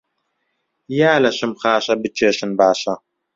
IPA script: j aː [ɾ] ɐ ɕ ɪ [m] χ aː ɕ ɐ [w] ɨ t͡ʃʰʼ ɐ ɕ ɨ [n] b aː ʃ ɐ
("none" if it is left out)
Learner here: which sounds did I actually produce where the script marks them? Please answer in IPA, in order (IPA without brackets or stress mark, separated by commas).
l, m, b, n